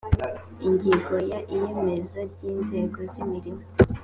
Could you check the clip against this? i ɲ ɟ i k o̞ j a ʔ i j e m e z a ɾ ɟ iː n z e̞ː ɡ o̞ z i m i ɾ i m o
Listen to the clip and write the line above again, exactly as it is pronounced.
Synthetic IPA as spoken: i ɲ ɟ i ɡ o̞ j a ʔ i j e m e z a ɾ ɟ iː n z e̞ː ɡ o̞ z i m i ɾ i m o